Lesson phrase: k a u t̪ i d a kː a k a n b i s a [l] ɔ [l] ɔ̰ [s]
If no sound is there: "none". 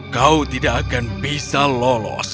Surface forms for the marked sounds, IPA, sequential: l, l, s

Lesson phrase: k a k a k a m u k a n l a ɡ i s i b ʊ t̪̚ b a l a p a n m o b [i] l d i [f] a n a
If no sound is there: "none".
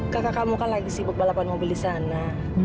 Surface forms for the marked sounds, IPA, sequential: i, s

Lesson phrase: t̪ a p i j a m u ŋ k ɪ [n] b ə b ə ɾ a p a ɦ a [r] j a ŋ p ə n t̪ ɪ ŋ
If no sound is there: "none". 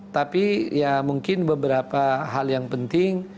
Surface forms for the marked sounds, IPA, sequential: n, l

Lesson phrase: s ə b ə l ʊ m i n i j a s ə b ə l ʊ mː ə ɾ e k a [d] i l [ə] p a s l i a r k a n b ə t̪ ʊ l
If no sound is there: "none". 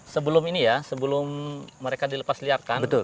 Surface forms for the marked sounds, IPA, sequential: d, ə

